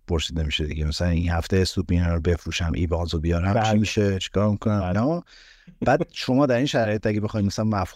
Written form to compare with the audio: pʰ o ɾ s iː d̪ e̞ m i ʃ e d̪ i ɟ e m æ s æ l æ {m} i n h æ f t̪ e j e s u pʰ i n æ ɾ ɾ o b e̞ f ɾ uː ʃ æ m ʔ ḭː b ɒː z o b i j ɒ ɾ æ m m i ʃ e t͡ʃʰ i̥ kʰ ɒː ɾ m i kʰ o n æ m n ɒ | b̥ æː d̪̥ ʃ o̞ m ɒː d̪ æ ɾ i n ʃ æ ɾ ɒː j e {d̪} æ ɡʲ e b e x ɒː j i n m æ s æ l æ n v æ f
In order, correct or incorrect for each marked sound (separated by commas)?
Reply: incorrect, incorrect